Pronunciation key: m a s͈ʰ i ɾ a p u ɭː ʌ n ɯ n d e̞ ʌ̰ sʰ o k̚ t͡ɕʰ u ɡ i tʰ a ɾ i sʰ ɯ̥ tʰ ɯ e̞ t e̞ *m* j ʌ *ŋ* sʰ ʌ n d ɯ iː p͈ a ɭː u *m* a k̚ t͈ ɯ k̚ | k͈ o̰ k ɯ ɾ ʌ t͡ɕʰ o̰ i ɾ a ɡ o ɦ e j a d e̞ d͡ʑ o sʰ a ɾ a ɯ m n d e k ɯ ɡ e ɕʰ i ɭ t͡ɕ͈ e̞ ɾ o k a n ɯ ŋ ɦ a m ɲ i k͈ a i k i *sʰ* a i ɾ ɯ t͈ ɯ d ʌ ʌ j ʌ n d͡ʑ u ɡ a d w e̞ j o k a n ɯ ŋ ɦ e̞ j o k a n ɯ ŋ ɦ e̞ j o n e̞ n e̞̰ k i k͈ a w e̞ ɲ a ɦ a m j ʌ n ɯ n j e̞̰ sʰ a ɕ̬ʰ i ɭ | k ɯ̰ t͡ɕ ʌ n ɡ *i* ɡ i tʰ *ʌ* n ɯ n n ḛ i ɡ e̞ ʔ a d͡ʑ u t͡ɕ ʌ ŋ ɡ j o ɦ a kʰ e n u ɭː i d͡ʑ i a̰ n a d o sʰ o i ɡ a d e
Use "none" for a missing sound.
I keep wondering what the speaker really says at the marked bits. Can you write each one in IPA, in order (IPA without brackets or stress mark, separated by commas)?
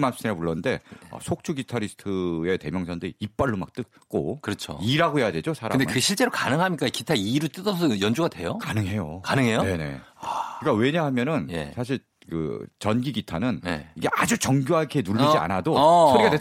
m, ŋ, m, tʰ, i, a